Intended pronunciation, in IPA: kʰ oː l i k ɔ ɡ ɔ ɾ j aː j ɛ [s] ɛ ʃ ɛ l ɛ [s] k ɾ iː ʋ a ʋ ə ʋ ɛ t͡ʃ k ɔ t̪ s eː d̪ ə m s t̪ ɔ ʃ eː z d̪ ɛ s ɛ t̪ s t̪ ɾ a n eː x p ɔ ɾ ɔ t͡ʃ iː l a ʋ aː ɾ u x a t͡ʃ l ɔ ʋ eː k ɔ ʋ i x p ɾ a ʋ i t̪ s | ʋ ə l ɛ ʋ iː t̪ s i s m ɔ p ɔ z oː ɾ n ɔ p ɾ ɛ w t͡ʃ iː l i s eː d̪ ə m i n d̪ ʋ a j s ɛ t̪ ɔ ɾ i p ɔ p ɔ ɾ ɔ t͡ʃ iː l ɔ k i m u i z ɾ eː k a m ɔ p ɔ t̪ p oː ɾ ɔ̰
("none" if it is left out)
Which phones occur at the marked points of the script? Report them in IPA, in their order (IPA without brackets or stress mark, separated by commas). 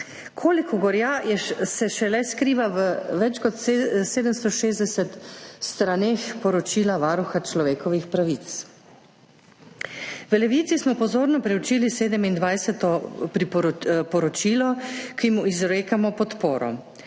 s, s